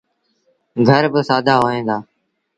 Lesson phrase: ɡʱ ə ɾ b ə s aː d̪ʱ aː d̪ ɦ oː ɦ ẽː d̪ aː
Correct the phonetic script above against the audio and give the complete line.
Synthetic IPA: ɡʱ ə ɾ b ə s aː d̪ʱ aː ɦ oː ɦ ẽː d̪ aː